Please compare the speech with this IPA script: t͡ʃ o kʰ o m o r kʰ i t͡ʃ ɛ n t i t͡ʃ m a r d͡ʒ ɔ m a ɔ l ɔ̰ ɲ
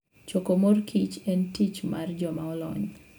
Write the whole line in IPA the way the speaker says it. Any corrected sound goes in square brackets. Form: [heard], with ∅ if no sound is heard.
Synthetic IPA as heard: t͡ʃ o [k] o m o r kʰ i t͡ʃ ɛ n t i t͡ʃ m a r d͡ʒ ɔ m a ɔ l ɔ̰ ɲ